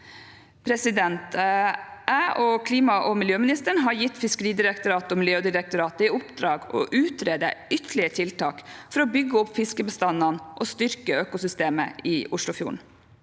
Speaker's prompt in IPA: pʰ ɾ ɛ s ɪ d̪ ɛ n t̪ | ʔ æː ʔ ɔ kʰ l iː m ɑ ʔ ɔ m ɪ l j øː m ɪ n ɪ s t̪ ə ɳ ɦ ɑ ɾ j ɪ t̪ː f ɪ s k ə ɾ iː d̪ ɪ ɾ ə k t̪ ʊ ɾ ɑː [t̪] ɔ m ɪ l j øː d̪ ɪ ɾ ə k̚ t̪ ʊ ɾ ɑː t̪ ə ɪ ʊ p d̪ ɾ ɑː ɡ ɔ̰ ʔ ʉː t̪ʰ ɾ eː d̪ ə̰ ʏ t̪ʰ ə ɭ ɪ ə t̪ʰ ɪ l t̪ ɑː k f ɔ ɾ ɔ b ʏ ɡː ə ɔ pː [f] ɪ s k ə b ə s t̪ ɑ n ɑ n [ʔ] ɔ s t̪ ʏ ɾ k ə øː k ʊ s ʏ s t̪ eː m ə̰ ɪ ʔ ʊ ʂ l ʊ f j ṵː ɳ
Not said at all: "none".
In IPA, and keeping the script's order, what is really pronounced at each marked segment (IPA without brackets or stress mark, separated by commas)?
t̪, f, ʔ